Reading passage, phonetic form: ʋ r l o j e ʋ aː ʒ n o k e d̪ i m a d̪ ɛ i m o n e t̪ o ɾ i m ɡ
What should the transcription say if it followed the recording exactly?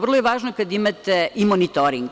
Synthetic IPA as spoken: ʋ r l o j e ʋ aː ʒ n o k a d̪ i m a t̪ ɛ i m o n i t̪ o ɾ i ŋ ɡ